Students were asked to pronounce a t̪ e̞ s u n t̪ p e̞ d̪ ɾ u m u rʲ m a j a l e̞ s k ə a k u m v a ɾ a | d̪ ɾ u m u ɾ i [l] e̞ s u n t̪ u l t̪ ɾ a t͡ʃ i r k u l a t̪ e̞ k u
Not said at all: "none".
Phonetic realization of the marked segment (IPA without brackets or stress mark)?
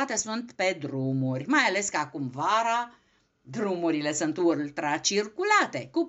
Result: l